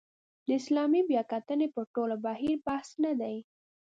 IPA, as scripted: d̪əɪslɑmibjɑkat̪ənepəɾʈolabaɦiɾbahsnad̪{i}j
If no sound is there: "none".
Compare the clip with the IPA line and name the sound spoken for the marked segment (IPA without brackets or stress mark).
a